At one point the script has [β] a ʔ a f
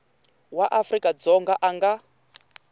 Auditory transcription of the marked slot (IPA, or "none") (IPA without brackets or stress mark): w